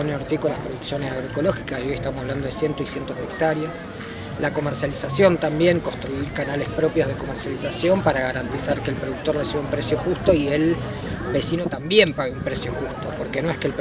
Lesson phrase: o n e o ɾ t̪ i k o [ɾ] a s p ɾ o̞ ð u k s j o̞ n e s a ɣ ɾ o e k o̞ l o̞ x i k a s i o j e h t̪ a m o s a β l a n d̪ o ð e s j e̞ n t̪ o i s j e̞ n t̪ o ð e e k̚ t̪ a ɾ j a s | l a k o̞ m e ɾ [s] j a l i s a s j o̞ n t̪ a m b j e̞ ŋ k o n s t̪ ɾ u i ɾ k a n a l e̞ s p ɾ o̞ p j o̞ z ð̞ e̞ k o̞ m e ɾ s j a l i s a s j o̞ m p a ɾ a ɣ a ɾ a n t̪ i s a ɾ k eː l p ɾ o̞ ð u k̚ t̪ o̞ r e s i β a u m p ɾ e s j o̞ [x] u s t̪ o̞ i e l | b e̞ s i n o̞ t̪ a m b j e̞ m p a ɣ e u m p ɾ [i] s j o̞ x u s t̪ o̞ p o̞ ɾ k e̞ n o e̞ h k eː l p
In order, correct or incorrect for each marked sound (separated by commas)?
incorrect, correct, correct, incorrect